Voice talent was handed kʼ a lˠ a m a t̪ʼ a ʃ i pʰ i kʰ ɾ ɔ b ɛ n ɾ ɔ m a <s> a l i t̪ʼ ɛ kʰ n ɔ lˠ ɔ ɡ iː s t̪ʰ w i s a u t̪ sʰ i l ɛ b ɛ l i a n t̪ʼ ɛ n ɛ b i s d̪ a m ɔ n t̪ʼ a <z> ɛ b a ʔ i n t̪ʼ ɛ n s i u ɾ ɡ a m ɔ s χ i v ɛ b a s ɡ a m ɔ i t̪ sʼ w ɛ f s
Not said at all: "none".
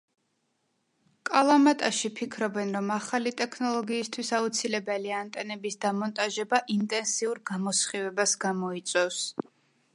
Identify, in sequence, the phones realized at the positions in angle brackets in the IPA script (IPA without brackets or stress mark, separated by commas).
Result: χ, ʒ